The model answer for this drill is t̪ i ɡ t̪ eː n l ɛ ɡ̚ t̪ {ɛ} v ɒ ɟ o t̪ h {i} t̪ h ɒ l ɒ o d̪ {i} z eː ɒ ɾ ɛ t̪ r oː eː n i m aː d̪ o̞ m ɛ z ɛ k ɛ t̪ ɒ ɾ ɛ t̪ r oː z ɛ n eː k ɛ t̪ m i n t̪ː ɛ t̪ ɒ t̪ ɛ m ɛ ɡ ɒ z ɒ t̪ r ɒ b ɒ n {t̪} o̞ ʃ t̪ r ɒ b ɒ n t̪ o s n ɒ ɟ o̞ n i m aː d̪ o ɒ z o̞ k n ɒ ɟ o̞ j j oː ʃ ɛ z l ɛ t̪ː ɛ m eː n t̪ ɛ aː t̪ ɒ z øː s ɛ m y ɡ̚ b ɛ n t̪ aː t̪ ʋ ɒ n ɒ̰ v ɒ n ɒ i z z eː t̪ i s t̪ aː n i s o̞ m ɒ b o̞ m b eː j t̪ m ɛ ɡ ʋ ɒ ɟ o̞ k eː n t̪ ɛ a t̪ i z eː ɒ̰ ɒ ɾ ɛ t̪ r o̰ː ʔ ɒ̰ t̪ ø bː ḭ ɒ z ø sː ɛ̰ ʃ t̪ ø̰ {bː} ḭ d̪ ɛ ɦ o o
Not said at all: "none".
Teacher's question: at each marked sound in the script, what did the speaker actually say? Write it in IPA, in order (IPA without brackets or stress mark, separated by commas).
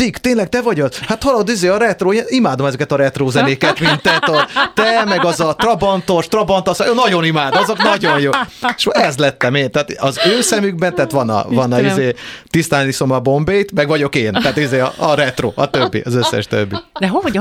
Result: ɛ, a, i, t̪, bː